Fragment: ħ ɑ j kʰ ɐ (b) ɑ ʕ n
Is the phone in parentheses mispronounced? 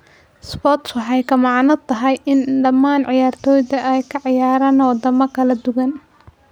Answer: yes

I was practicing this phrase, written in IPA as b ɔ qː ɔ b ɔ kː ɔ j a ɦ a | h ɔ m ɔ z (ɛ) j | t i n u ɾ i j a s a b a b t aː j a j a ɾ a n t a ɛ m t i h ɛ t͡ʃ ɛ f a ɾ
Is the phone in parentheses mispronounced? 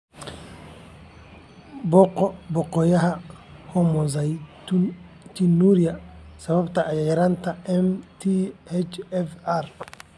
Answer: yes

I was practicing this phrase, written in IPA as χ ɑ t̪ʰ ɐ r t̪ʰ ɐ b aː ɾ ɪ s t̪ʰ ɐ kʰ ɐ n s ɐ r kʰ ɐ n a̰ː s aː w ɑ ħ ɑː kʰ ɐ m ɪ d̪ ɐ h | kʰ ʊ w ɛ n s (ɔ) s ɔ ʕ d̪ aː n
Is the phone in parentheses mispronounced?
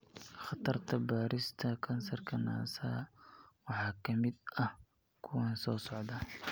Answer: yes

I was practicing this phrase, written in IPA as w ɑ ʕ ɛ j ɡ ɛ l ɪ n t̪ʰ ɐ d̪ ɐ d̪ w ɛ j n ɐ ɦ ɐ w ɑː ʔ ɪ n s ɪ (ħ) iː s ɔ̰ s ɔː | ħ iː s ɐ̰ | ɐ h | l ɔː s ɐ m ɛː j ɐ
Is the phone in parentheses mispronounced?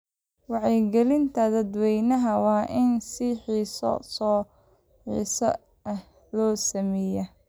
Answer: no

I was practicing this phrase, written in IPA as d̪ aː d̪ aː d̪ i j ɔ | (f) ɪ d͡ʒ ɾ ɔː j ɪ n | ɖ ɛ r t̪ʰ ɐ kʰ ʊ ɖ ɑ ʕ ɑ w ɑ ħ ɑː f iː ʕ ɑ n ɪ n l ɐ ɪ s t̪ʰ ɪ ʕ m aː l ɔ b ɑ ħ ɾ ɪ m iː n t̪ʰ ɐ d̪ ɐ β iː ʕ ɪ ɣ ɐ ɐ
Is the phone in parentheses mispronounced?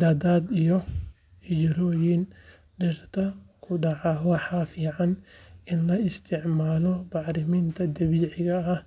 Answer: yes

